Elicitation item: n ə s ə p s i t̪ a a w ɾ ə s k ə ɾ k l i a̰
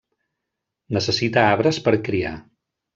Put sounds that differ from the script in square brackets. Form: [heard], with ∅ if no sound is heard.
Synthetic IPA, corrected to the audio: n ə s ə [∅] s i t̪ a a [β] ɾ ə s [p] ə ɾ k [ɾ] i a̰